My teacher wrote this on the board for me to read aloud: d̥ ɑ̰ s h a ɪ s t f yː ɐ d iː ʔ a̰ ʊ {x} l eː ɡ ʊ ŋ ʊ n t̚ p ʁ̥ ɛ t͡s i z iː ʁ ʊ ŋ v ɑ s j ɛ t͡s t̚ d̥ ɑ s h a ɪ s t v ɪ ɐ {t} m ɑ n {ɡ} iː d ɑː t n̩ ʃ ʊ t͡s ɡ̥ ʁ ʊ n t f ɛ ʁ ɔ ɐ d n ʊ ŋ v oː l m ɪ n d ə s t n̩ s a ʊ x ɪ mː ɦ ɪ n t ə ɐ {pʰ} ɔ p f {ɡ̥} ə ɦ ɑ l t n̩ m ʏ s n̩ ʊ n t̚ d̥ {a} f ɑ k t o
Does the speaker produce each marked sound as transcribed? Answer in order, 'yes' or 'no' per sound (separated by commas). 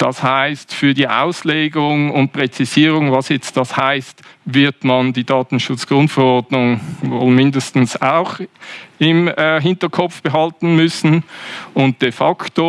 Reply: no, yes, no, no, no, no